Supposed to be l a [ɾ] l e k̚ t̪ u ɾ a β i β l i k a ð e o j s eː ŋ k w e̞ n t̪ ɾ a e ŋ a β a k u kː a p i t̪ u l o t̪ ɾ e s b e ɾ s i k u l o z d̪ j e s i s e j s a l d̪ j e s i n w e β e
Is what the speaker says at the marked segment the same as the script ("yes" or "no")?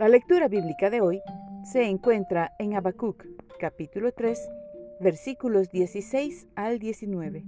no